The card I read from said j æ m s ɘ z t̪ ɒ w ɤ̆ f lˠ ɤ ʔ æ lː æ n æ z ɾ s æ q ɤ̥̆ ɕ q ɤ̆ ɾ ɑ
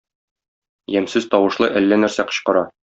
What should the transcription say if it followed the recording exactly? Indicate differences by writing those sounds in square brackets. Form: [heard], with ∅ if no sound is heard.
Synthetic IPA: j æ m s ɘ z t̪ ɒ w ɤ̆ [ʃ] lˠ ɤ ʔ æ lː æ n æ [∅] ɾ s æ q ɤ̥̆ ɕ q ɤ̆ ɾ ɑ

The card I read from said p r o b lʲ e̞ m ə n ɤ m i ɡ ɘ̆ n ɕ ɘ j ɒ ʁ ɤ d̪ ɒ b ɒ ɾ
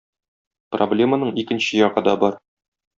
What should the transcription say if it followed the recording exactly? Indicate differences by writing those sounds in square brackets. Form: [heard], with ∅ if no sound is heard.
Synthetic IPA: p r o b lʲ e̞ m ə n ɤ [ɴ] i [k] ɘ̆ n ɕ ɘ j ɒ ʁ ɤ d̪ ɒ b ɒ ɾ

